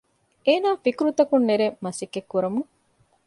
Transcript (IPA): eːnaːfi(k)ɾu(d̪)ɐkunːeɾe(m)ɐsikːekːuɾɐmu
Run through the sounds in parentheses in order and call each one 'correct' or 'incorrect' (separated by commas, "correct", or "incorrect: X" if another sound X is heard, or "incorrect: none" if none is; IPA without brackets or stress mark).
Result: correct, incorrect: t̪, correct